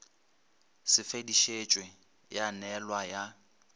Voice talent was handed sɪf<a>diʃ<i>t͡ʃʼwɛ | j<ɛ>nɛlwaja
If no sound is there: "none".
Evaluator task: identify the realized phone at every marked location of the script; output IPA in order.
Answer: e, e, a

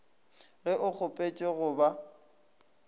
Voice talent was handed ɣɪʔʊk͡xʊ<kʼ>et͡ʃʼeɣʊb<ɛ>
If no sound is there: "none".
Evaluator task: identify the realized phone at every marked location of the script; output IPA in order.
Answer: pʼ, a

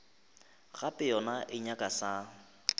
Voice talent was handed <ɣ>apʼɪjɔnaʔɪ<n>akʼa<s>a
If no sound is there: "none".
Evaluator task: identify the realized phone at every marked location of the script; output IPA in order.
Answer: ɣ, ɲ, s

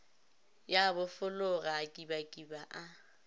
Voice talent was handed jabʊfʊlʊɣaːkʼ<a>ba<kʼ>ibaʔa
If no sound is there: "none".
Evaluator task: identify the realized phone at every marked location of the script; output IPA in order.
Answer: i, kʼ

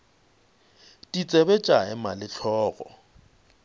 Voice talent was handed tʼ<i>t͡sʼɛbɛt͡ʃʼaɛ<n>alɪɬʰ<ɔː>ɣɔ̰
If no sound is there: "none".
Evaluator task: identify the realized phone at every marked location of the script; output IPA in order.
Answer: i, m, ɔː

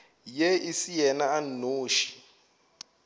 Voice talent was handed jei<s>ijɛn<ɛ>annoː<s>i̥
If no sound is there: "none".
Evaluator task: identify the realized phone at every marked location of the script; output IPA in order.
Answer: s, a, ʃ

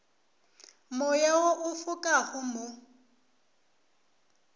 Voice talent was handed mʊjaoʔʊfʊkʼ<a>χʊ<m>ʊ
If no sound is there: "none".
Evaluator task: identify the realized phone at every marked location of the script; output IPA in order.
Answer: a, m

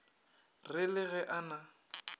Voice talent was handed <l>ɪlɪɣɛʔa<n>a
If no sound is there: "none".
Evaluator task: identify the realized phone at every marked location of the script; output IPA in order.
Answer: r, n

